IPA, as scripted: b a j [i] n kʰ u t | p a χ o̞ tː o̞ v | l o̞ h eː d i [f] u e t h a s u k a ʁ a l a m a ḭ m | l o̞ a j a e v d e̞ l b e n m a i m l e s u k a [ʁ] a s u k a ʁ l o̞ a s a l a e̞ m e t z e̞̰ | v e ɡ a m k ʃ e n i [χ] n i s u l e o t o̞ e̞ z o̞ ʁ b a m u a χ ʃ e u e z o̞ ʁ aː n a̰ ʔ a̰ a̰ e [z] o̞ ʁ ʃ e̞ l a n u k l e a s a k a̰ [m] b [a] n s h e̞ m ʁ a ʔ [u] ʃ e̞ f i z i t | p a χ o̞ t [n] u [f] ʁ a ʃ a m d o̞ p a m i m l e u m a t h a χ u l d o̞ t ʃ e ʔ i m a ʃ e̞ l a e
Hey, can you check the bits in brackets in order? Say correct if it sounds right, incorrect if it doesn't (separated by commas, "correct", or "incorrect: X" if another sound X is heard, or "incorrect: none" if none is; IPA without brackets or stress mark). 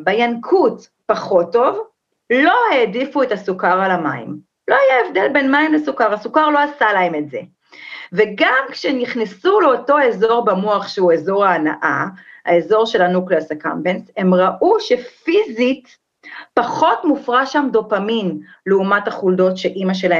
incorrect: a, correct, correct, correct, correct, correct, incorrect: e, correct, incorrect: m, correct